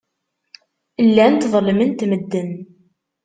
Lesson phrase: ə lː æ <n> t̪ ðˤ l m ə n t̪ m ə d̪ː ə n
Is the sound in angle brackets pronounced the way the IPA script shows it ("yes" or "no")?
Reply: yes